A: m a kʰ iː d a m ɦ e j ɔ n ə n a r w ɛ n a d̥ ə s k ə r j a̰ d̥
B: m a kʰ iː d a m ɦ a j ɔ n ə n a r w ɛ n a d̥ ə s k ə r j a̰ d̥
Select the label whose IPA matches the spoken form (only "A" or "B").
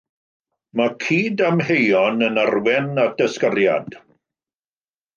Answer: A